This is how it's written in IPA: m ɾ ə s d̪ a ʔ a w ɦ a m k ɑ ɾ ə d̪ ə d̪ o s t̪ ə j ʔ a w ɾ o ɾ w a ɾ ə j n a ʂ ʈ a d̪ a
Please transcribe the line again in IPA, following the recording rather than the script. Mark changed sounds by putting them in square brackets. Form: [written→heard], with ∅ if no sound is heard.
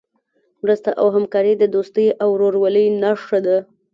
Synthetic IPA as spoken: m ɾ ə s [d̪→t̪] a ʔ a w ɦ a m k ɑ ɾ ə d̪ ə d̪ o s t̪ ə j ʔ a w ɾ o ɾ w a [ɾ→l] ə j n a ʂ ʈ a d̪ a